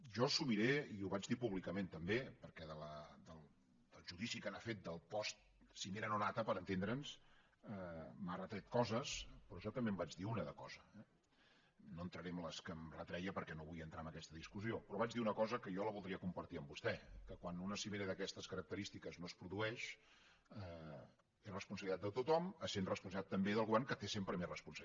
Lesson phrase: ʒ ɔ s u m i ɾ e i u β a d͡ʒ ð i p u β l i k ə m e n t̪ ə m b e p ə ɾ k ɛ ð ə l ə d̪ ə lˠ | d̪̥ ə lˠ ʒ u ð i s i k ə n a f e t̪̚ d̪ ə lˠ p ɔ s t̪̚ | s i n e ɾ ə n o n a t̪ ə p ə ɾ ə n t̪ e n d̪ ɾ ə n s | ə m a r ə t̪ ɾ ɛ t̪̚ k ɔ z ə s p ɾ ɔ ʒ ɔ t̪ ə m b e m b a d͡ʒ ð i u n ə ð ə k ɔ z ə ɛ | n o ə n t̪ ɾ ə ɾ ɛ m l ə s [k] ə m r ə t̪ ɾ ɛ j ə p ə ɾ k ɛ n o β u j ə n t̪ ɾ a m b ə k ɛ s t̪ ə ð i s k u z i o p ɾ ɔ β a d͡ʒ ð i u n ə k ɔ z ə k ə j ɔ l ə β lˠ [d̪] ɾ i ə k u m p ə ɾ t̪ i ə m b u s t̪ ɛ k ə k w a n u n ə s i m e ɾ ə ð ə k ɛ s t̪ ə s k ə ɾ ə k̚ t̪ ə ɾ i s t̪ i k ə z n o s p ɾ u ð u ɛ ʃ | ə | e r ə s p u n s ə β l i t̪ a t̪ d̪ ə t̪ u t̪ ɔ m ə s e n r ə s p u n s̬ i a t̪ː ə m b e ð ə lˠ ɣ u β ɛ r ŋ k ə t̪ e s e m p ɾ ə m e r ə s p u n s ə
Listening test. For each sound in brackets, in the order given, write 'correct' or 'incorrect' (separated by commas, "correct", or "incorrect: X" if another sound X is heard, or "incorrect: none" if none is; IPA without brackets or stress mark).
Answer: correct, correct